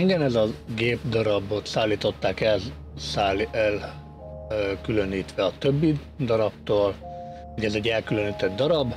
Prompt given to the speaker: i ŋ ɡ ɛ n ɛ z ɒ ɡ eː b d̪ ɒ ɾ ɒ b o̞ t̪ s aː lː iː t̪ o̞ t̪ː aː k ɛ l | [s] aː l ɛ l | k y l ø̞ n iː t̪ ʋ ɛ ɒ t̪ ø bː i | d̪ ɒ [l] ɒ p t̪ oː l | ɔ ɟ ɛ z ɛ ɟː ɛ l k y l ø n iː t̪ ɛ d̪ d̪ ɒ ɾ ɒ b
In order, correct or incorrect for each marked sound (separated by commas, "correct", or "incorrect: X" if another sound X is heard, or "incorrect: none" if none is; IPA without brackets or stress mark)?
correct, incorrect: ɾ